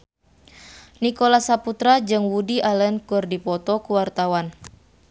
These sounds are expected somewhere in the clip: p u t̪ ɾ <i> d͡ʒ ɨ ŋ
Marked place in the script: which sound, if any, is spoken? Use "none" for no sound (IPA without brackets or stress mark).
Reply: a